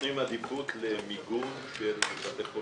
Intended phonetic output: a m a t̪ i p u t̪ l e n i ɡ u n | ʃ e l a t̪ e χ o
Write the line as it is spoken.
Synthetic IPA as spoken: i m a d̪ i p u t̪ l e m i ɡ u n | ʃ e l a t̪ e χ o